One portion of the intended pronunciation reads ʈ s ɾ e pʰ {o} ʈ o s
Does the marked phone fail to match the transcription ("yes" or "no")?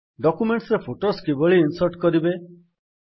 no